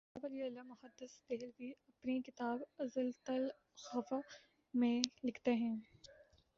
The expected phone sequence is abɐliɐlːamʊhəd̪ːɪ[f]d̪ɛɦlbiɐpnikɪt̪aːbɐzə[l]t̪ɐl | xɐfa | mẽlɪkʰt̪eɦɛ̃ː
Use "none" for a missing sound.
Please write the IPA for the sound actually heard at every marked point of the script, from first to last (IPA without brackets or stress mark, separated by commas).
s, l